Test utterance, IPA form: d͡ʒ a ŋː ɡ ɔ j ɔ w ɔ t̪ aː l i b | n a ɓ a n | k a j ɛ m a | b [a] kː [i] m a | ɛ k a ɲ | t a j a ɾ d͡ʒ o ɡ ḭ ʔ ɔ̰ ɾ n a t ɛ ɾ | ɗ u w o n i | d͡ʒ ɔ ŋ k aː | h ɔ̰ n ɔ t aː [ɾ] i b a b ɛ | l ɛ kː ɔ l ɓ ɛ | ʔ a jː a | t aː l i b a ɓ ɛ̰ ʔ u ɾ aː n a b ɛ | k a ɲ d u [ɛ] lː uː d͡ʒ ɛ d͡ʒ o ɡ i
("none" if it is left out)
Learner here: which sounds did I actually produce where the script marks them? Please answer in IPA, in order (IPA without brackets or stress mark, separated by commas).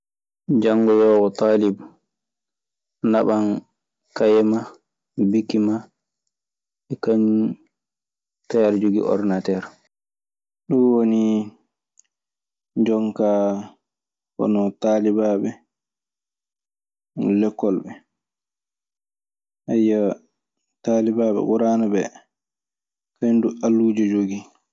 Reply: i, i, l, a